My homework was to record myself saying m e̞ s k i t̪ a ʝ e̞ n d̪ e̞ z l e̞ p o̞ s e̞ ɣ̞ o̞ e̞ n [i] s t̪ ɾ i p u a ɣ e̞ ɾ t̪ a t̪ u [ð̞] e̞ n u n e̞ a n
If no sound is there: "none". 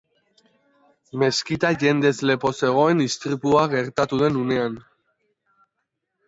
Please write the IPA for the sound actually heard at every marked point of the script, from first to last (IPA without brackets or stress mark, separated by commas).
i, ð̞